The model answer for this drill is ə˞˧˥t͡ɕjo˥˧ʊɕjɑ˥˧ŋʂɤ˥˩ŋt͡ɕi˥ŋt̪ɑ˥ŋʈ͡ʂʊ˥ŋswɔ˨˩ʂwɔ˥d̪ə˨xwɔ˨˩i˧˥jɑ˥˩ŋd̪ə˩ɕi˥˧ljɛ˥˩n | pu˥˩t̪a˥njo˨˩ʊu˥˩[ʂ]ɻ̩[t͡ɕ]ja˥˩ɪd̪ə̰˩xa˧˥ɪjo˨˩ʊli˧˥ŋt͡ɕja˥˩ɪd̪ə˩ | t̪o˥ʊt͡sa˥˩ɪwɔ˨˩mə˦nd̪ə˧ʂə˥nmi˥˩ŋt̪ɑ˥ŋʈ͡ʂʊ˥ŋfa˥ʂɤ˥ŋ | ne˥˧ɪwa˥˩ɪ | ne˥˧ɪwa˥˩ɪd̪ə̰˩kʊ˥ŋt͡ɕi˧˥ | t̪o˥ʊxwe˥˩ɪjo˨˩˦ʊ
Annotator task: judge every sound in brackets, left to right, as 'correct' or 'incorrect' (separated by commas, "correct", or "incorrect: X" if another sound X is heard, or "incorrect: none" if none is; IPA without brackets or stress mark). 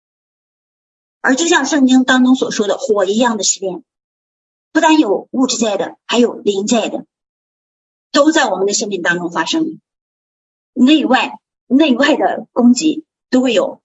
incorrect: ʈ͡ʂ, correct